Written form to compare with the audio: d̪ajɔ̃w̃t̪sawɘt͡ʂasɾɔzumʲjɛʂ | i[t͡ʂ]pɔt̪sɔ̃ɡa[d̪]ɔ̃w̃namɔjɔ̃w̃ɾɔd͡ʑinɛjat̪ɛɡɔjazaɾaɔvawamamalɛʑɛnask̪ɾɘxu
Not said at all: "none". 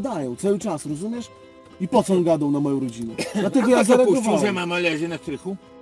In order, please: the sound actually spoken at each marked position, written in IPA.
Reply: none, d̪

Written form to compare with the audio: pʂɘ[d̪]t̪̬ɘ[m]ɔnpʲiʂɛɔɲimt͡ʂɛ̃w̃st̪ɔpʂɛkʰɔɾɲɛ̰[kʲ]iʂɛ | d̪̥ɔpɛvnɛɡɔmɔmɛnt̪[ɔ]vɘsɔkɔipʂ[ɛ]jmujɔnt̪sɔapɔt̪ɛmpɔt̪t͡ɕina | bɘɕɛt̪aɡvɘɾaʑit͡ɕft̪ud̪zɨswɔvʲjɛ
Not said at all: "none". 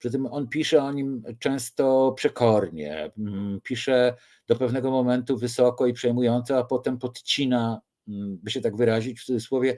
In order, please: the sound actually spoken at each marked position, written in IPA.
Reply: none, m, pʲ, u, ɛ

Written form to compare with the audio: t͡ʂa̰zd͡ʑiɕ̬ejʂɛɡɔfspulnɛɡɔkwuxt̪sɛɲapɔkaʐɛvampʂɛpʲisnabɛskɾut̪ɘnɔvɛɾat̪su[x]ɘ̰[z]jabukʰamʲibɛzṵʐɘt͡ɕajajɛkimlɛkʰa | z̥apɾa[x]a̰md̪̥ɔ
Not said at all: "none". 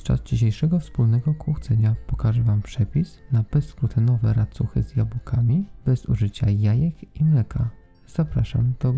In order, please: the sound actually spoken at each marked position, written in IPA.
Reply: x, z, ʂ

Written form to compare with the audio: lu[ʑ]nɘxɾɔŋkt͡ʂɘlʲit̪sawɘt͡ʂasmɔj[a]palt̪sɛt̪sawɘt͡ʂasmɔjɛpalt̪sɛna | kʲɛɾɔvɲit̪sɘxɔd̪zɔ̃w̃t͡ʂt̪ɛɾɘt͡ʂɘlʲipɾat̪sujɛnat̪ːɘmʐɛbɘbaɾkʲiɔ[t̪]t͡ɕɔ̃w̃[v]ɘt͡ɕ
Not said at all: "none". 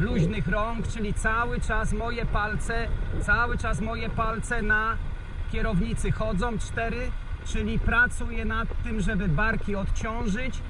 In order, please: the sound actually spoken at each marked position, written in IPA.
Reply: ʑ, ɛ, t̪, ʐ

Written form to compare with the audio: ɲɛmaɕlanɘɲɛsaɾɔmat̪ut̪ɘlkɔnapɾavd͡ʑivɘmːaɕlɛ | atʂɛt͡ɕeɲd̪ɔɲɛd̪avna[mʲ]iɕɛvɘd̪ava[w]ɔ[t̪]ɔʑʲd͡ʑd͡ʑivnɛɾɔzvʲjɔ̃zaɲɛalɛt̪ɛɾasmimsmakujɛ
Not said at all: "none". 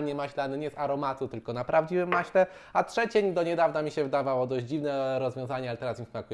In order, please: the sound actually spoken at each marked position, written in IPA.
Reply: mʲ, w, d̪

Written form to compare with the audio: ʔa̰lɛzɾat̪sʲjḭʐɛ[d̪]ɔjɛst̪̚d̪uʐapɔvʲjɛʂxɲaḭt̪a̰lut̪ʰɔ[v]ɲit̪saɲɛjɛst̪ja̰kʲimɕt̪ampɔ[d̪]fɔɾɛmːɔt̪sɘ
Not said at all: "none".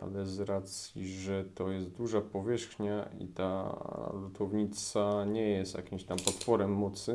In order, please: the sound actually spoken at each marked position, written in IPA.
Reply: t̪, v, t̪

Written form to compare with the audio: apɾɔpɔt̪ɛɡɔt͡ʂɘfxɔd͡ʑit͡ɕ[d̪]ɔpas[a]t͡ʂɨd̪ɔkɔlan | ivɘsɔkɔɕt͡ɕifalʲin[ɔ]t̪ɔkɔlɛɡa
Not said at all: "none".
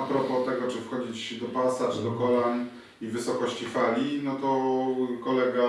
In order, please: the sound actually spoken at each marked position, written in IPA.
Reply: d̪, a, ɔ

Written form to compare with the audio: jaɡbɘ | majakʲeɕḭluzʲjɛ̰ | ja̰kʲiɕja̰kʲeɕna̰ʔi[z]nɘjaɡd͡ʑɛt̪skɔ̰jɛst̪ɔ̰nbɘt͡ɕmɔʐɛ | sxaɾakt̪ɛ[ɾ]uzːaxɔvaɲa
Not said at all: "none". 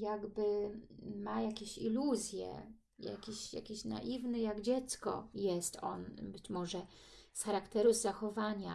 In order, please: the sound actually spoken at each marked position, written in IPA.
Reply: v, ɾ

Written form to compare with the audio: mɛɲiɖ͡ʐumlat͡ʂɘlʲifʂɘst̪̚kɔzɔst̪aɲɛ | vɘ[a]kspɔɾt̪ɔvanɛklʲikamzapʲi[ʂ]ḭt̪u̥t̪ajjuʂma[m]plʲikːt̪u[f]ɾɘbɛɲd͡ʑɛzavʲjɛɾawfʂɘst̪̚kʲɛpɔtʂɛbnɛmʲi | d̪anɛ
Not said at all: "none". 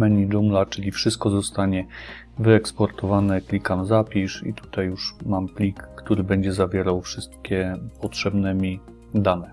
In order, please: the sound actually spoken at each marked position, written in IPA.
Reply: ɛ, ʂ, m, none

